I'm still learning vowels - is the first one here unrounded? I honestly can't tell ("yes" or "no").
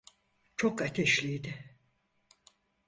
no